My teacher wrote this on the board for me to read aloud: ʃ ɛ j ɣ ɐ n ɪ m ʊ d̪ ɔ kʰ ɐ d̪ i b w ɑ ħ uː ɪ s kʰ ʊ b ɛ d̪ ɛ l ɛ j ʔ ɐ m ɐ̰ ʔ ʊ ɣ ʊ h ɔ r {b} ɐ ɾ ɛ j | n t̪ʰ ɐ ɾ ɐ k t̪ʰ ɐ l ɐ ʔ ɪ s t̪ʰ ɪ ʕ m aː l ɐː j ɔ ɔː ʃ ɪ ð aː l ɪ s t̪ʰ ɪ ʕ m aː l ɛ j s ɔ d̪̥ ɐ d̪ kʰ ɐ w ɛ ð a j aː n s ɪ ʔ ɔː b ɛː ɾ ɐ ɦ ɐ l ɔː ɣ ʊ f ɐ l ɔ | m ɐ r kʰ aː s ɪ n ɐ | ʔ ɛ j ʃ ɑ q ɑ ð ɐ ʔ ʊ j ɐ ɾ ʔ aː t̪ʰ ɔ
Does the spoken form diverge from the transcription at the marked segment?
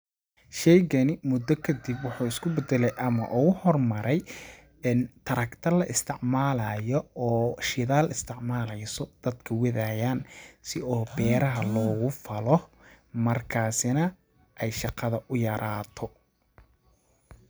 yes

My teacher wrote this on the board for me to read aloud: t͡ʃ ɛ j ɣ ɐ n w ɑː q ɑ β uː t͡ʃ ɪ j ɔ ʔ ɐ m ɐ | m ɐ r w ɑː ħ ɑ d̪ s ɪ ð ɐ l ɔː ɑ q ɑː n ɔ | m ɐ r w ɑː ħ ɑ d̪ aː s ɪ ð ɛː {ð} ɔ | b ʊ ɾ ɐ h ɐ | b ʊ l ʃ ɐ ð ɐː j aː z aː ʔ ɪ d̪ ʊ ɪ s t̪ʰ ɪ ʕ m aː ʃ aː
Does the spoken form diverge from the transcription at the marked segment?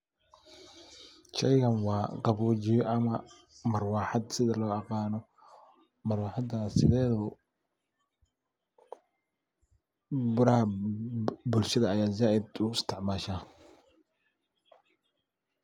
no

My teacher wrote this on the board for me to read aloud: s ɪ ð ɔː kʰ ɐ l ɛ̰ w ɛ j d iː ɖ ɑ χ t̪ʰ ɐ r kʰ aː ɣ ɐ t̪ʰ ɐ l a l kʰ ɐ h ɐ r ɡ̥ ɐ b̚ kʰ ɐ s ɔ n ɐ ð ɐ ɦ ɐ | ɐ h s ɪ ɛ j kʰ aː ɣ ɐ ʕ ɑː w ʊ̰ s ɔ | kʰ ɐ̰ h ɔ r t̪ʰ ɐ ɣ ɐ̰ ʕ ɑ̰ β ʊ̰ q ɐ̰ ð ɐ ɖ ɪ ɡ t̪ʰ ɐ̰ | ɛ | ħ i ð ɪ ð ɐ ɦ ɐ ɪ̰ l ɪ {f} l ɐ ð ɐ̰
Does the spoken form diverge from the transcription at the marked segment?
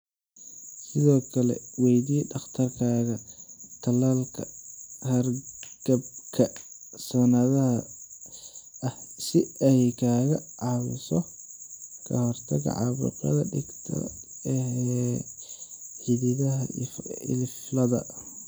no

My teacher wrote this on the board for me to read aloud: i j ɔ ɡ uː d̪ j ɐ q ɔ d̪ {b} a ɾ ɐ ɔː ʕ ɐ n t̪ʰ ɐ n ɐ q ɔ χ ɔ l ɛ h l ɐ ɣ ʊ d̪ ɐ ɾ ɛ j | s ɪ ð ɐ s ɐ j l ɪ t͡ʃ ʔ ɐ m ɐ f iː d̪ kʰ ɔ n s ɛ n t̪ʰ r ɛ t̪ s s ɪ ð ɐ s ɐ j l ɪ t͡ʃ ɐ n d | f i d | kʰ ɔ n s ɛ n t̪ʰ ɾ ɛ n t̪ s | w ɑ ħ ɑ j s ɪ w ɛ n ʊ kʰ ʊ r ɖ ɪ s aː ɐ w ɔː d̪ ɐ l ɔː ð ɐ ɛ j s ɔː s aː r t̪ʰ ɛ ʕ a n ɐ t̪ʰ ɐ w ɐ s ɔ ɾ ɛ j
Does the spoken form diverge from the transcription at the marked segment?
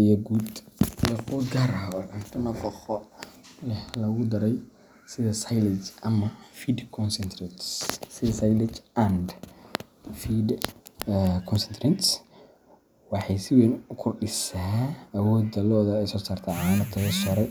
yes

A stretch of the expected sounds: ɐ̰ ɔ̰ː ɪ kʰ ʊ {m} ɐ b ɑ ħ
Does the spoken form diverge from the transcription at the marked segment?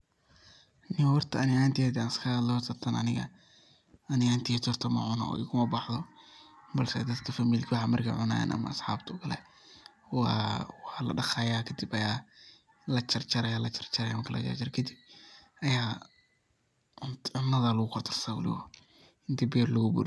no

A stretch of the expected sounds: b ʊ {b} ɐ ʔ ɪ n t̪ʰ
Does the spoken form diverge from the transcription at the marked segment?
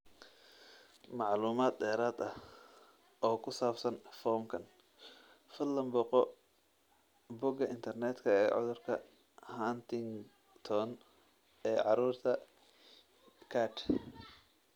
yes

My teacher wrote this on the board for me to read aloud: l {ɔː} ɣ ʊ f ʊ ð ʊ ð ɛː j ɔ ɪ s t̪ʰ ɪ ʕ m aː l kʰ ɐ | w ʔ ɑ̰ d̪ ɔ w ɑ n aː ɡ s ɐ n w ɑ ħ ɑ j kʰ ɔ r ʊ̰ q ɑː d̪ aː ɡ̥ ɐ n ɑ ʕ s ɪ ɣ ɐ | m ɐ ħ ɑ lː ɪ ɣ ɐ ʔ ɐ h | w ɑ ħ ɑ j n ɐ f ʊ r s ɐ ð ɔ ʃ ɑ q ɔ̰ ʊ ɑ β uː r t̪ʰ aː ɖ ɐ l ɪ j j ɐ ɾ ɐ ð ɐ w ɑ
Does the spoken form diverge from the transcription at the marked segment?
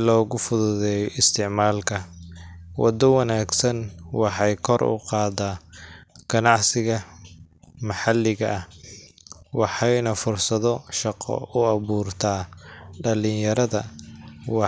no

